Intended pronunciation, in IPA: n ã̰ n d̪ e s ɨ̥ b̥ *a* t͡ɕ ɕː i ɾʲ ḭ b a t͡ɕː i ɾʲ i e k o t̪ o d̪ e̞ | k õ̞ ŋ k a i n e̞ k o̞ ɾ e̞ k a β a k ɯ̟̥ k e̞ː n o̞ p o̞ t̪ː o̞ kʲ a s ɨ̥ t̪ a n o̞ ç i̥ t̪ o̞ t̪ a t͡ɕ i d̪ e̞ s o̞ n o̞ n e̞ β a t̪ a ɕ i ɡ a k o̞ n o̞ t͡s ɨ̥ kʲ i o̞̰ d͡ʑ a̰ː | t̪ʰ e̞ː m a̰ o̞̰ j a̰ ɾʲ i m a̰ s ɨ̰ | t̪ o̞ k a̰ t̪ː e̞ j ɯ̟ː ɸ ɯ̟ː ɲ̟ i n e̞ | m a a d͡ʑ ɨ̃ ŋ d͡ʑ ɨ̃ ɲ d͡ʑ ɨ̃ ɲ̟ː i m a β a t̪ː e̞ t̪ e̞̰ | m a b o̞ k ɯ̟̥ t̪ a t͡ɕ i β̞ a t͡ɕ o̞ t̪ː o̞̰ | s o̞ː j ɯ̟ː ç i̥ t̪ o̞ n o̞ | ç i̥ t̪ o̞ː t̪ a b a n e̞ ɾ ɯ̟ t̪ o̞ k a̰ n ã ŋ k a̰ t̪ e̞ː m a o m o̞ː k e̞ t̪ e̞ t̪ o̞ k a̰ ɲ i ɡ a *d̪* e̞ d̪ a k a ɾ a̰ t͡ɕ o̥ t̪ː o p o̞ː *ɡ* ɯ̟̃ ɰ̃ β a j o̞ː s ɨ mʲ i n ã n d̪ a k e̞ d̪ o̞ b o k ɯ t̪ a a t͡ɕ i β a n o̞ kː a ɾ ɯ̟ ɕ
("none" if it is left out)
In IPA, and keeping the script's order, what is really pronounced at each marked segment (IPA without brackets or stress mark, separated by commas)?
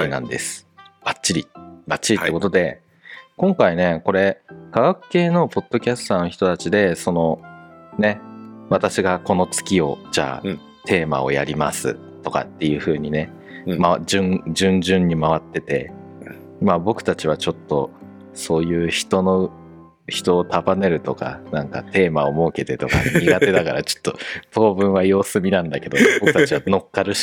a, t̪, b